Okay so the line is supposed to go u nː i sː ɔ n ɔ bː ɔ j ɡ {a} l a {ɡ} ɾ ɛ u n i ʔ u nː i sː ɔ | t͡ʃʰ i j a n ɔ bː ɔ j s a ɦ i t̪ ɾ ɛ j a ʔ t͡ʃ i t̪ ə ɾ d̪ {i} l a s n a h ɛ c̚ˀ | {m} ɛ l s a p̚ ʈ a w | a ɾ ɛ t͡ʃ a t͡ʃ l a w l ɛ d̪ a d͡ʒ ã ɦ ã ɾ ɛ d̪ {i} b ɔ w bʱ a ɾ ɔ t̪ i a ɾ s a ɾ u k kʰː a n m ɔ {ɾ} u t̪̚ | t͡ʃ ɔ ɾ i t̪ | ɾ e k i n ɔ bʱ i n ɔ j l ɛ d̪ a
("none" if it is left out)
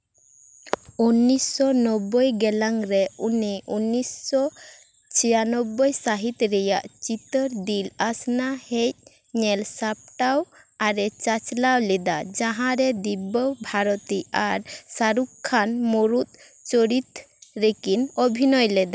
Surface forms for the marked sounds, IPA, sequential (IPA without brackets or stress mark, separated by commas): ɛ, ŋ, i, ɲ, i, ɾ